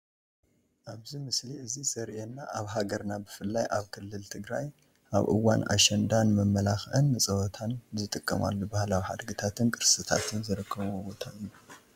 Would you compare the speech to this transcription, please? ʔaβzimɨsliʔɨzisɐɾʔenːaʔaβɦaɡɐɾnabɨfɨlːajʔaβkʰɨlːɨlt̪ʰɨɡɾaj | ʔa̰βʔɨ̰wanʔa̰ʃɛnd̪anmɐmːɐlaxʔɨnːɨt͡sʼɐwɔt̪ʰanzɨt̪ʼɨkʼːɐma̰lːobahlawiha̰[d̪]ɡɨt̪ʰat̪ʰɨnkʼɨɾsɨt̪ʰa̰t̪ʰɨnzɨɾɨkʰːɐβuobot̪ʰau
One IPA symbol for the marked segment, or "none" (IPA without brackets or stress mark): d̪